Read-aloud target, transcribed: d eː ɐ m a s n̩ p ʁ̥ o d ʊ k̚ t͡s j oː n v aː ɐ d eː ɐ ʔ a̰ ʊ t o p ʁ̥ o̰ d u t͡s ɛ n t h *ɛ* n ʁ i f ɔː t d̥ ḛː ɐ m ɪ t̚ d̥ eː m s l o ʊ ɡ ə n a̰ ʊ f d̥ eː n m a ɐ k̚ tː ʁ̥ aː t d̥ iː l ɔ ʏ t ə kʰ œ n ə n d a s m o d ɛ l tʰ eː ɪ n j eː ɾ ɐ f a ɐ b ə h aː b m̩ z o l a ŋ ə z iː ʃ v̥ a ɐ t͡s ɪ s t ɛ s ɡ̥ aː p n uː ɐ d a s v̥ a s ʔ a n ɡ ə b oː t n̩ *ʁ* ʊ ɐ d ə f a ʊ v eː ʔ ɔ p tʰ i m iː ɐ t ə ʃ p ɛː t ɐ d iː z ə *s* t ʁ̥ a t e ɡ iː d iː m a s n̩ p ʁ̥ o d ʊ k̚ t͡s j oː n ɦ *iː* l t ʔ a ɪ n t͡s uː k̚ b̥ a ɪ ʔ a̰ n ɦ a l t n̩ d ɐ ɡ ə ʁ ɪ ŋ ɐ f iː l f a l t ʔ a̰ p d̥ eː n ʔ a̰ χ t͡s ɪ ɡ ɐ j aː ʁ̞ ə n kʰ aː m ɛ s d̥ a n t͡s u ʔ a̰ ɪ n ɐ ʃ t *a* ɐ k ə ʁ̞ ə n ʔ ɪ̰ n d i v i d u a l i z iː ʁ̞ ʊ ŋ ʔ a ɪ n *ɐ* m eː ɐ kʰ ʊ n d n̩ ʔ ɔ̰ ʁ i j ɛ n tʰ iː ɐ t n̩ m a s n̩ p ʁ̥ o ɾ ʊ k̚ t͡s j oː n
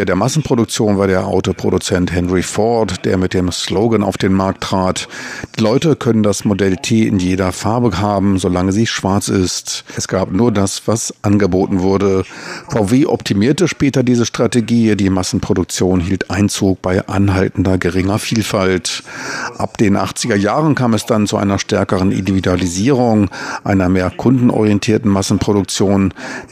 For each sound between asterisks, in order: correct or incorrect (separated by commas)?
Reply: correct, incorrect, incorrect, correct, incorrect, correct